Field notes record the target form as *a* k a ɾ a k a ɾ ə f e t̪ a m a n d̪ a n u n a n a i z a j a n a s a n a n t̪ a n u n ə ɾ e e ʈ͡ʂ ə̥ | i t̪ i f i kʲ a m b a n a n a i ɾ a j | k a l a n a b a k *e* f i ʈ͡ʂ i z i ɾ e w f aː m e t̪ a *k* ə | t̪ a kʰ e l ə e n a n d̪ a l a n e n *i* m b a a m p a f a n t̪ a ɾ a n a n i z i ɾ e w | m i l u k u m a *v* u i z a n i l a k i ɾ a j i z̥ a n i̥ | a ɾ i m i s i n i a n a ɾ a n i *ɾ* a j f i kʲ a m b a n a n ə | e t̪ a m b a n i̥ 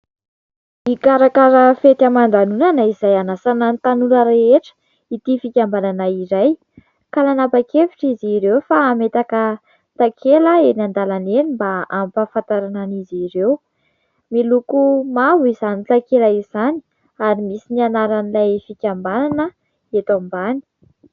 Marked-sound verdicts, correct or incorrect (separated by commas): incorrect, correct, correct, correct, correct, incorrect